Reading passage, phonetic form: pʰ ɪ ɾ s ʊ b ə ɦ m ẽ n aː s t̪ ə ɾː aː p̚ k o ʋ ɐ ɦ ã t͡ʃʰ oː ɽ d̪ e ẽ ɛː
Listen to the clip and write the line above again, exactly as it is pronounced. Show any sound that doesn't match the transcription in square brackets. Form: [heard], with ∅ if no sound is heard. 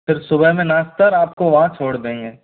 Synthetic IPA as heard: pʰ ɪ ɾ s ʊ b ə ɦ m ẽ n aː s t̪ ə [ɾ] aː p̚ k o ʋ ɐ ɦ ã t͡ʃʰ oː ɽ d̪ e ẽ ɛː